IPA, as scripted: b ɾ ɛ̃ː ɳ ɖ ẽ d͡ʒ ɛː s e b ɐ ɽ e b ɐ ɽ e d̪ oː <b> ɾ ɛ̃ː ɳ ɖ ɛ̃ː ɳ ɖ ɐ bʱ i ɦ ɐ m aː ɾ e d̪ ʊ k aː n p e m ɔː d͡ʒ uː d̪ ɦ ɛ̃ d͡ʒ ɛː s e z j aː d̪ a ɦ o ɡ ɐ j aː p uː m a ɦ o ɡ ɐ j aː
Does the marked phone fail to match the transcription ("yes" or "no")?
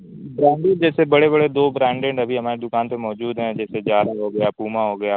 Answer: no